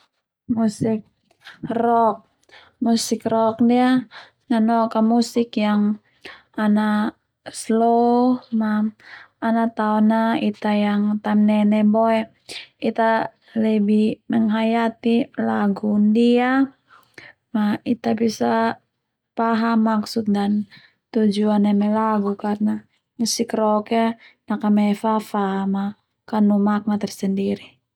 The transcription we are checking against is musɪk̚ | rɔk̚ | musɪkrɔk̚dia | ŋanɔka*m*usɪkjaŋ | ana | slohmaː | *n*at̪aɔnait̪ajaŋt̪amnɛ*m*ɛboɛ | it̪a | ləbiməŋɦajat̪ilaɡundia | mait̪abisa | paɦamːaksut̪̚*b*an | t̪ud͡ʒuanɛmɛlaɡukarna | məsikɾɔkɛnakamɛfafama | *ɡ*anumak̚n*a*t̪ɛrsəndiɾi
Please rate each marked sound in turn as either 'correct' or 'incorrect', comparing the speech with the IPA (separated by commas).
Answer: correct, correct, incorrect, incorrect, incorrect, correct